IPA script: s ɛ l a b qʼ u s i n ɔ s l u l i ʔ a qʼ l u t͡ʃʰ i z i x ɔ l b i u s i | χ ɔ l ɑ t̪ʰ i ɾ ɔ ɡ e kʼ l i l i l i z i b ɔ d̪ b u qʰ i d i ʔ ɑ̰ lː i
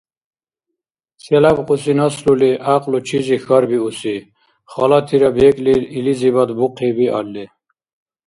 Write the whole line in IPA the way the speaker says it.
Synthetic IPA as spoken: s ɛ l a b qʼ u s i n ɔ s l u l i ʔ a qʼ l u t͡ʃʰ i z i x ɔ ɾ b i u s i | χ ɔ l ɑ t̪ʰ i ɾ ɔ b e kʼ l i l i l i z i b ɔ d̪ b u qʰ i b i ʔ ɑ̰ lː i